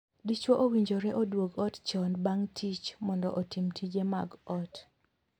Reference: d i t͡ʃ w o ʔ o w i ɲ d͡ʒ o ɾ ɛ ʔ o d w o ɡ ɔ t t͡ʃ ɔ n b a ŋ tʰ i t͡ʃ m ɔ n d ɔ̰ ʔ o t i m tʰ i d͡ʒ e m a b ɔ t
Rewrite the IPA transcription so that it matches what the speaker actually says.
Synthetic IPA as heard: d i t͡ʃ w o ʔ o w i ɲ d͡ʒ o ɾ ɛ ʔ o d w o ɡ ɔ t t͡ʃ ɔ n b a ŋ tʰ i t͡ʃ m ɔ n d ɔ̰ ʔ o t i m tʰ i d͡ʒ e m a ɡ ɔ t